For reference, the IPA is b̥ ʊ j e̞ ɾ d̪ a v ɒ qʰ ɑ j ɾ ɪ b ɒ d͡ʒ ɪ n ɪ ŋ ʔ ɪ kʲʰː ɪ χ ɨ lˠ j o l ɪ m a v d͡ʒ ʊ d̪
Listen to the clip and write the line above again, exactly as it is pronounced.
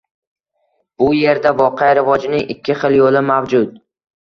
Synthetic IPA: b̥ ʊ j e̞ ɾ d̪ a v ɒ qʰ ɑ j ɾ ɪ v ɒ d͡ʒ ɪ n ɪ ŋ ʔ ɪ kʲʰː ɪ χ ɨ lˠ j o l ɪ m a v d͡ʒ ʊ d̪